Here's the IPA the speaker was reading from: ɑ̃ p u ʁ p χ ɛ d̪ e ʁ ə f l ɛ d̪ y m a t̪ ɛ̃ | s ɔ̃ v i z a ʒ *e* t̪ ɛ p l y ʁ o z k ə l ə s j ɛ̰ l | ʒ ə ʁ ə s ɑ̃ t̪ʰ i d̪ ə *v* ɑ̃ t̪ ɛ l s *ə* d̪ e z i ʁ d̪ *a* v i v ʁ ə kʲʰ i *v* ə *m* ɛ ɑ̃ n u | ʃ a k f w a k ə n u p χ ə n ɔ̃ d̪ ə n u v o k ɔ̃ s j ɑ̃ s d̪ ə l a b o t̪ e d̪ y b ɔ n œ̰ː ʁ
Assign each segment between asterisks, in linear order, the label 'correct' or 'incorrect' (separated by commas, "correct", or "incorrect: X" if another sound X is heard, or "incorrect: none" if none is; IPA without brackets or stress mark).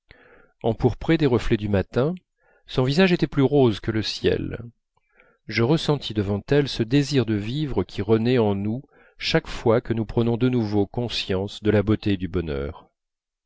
correct, correct, correct, incorrect: ə, incorrect: ʁ, incorrect: n